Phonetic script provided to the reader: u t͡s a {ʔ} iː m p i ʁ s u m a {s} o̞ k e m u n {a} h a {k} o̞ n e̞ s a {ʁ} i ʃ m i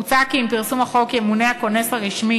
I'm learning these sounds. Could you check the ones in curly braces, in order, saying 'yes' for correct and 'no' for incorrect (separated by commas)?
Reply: no, no, no, yes, yes